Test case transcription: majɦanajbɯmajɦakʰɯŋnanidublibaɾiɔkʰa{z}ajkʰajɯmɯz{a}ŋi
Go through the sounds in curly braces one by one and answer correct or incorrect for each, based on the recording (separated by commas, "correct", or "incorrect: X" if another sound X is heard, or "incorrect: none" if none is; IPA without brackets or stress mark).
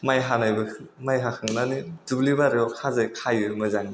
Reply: correct, correct